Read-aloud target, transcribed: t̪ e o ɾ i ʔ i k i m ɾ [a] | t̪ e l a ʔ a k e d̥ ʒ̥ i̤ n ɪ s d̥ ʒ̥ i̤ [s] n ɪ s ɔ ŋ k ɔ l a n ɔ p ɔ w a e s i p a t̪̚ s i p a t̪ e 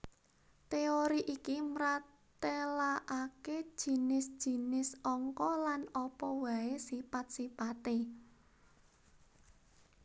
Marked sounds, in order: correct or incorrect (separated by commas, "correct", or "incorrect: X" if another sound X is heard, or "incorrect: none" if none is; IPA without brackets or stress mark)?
correct, incorrect: none